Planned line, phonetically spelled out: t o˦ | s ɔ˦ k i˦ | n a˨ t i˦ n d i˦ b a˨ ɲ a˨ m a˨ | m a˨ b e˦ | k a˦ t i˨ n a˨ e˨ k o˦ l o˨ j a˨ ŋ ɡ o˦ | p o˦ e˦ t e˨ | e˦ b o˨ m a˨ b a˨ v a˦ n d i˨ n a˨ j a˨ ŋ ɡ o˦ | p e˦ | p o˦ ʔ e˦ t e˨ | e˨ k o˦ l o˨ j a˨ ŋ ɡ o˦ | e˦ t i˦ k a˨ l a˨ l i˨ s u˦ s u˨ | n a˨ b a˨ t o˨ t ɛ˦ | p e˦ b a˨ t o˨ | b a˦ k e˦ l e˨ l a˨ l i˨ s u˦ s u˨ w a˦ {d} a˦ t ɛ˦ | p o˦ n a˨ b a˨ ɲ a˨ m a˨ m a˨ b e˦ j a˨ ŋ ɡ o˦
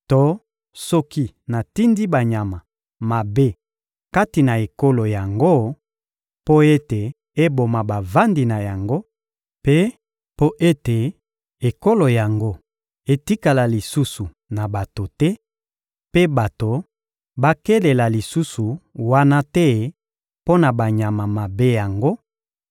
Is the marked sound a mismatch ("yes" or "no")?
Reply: yes